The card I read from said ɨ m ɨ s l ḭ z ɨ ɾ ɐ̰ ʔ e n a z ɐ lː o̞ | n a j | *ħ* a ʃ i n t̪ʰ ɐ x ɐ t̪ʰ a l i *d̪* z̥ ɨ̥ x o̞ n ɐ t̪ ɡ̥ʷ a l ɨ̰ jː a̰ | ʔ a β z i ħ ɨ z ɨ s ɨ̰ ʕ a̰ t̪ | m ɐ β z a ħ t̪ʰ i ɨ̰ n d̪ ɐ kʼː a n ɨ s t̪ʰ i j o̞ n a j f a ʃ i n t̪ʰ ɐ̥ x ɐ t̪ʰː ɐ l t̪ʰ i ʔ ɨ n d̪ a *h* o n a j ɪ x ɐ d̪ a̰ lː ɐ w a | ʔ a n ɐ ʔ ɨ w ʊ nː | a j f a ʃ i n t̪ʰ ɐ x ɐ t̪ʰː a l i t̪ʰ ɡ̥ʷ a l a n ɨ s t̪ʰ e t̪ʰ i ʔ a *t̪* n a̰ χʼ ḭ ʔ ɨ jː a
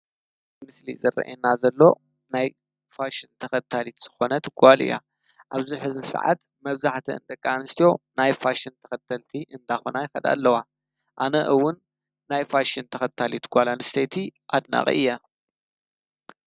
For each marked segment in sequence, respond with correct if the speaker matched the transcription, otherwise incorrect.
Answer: incorrect: f, incorrect: t̪, incorrect: x, incorrect: d̪

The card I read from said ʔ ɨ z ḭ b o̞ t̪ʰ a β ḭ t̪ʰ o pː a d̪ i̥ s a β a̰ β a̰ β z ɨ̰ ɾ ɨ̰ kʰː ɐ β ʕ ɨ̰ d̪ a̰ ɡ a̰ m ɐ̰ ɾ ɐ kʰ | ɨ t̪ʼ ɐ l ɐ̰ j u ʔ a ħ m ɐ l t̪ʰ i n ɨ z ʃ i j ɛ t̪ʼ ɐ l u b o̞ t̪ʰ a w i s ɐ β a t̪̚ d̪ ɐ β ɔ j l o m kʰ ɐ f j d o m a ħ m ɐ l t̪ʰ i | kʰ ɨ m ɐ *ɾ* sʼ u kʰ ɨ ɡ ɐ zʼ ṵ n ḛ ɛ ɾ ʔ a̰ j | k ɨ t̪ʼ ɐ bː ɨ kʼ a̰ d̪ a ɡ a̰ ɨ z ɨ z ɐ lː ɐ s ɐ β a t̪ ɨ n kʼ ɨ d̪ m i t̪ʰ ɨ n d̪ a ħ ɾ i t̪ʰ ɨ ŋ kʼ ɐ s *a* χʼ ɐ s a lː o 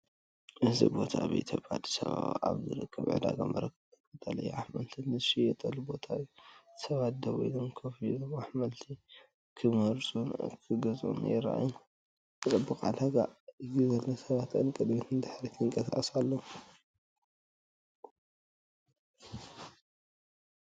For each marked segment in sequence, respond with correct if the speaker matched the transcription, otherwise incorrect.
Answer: correct, correct

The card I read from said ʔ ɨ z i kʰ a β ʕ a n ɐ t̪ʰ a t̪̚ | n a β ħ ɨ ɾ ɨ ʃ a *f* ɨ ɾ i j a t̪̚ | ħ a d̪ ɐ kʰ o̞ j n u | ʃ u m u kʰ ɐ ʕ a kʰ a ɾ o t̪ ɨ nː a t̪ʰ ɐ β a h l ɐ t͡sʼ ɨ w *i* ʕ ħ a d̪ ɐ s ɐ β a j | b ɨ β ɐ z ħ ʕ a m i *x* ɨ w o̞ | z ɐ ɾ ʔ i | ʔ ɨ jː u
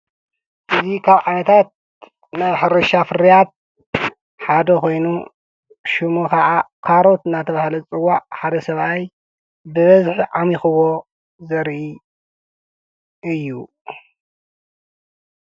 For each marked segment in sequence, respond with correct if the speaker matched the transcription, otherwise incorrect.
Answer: correct, incorrect: a, correct

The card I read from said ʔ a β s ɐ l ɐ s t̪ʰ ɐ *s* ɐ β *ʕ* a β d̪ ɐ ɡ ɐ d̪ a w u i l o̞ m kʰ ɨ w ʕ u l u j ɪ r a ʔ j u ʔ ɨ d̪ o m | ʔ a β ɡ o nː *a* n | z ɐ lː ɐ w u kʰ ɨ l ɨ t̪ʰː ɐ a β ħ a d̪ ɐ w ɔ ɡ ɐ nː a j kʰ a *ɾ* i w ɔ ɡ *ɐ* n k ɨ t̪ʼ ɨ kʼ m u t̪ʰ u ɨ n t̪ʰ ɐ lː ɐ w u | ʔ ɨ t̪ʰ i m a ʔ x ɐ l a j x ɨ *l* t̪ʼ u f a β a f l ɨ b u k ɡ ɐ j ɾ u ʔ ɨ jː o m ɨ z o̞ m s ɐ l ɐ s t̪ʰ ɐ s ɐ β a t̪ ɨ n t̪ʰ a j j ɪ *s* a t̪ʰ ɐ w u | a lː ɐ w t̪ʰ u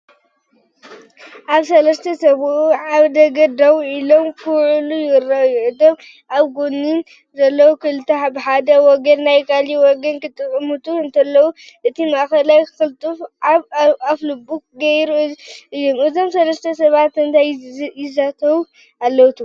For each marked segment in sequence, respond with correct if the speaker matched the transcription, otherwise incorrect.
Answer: correct, correct, incorrect: i, incorrect: l, correct, correct, incorrect: z

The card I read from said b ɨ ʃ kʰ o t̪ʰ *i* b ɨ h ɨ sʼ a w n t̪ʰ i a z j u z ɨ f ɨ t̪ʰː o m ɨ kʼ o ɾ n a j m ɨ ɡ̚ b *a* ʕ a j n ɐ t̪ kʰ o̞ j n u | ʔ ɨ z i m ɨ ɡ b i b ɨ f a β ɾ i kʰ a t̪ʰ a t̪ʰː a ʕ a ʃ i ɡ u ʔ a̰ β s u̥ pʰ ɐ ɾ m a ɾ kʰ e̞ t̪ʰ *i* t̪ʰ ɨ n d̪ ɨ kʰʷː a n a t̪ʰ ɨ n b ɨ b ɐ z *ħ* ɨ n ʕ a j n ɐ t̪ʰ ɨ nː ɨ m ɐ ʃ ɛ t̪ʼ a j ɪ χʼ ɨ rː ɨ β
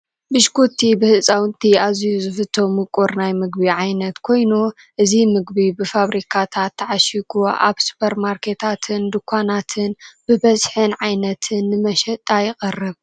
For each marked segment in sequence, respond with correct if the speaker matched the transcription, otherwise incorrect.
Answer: correct, incorrect: i, incorrect: a, correct

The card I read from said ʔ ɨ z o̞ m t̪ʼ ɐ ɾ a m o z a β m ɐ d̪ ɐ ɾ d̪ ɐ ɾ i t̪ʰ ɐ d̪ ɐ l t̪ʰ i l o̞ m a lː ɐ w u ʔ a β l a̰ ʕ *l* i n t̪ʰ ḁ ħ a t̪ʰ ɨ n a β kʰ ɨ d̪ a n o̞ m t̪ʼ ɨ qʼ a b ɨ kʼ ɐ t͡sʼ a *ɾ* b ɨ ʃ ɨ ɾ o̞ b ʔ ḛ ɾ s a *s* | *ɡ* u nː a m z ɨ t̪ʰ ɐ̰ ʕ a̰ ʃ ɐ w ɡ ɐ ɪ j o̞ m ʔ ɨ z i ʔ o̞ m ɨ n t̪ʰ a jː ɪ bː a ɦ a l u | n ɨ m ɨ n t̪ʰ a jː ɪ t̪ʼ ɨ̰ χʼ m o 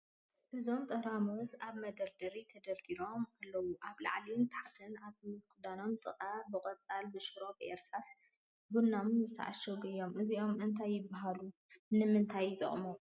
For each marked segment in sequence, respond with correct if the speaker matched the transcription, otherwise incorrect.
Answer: correct, incorrect: l, correct, incorrect: b

